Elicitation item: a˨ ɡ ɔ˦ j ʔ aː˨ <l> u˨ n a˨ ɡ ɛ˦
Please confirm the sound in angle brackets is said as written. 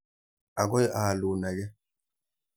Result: yes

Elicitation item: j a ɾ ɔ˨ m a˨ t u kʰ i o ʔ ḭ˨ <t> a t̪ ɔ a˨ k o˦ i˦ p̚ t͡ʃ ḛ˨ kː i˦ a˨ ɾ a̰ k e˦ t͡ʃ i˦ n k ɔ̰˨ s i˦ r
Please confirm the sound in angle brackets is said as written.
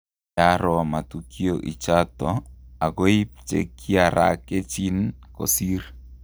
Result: no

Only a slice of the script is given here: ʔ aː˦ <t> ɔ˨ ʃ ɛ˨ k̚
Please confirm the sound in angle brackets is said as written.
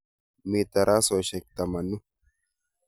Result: no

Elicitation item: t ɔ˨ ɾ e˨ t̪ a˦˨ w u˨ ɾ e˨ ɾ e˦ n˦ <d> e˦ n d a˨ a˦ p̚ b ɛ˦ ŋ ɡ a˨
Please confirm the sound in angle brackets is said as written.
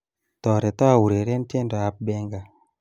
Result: no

